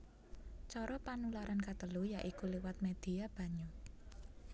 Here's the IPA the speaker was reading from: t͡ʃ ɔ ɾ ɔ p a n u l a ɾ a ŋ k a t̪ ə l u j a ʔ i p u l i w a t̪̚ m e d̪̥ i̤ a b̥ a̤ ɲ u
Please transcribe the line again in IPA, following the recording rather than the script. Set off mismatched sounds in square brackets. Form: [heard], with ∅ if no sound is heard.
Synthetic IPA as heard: t͡ʃ ɔ ɾ ɔ p a n u l a ɾ a [n] k a t̪ ə l u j a ʔ i [k] u l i w a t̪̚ m e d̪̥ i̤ a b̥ a̤ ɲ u